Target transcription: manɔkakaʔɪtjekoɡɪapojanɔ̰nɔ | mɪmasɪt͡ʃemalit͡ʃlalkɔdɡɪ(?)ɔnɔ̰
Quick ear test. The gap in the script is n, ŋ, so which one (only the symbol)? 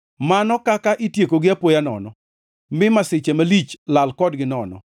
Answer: n